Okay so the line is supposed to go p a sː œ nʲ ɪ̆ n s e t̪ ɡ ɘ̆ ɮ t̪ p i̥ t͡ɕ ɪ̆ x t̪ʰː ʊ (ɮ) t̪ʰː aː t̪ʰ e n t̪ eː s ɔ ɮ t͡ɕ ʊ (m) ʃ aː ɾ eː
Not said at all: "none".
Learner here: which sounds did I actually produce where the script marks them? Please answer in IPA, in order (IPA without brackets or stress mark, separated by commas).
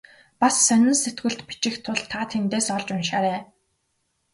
ɮ, n